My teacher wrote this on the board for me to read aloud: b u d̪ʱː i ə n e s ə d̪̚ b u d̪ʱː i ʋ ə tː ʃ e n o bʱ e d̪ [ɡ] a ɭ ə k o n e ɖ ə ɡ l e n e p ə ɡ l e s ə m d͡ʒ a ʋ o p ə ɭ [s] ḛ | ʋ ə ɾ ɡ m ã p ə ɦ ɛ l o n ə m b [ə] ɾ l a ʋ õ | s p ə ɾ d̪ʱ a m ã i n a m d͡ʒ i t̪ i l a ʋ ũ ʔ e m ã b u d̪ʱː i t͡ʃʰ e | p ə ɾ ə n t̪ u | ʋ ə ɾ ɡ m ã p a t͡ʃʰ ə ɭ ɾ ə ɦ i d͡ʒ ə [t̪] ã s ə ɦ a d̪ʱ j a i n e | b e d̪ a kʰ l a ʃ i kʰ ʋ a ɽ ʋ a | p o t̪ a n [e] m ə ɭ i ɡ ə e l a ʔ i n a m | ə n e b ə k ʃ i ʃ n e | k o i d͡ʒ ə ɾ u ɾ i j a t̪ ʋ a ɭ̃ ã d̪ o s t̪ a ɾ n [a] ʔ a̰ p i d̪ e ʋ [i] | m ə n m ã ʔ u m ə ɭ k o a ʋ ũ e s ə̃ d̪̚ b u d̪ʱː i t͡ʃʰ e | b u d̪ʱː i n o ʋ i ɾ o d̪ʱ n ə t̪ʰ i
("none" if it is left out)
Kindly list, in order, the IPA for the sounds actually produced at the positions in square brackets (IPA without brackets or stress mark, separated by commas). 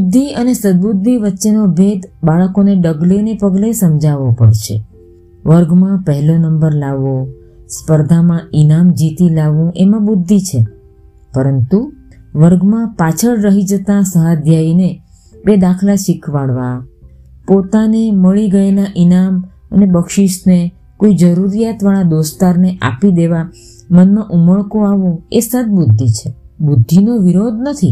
b, ʃ, ə, t̪, e, e, a